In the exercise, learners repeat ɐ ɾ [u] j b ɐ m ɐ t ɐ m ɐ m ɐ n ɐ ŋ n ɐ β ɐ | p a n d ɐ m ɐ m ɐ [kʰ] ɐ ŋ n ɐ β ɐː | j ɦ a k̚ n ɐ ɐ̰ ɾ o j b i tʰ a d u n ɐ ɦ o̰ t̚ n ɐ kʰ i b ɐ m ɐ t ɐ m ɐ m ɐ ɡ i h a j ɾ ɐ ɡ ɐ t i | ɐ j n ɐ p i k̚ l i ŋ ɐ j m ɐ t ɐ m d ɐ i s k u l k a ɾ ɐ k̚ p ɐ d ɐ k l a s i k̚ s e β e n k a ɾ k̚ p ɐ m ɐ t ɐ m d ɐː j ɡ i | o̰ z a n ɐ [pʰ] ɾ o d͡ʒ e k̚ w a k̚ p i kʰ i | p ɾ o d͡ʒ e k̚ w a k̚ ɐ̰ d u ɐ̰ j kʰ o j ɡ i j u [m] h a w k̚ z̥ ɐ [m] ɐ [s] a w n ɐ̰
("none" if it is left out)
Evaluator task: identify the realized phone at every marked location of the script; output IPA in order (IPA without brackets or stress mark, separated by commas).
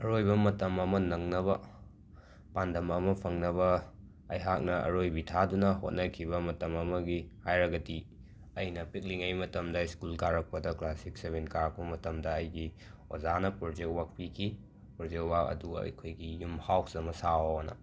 o, pʰ, p, m, m, s